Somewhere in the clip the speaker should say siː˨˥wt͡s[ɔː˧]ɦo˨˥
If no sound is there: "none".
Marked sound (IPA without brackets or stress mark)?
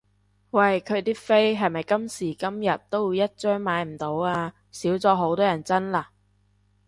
ɔː˧